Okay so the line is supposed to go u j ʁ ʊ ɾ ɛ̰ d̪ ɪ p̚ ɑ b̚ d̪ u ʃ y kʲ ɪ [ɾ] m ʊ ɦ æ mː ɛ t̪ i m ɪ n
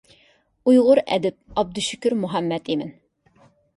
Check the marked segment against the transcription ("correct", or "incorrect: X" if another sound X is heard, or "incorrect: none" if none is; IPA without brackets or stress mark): correct